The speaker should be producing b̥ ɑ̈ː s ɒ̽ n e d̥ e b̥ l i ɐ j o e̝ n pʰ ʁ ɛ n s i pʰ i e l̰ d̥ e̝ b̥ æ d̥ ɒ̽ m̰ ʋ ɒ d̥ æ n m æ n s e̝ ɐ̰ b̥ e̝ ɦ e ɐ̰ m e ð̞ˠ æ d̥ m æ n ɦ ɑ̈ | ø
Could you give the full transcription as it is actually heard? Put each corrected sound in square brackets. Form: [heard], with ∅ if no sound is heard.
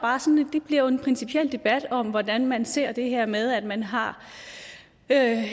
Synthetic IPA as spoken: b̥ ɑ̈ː s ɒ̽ n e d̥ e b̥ l i ɐ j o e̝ n pʰ ʁ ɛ n s i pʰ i e l̰ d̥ e̝ b̥ æ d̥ ɒ̽ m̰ ʋ ɒ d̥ æ n m æ n s e̝ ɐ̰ [d̥] e̝ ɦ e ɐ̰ m e ð̞ˠ æ d̥ m æ n ɦ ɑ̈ | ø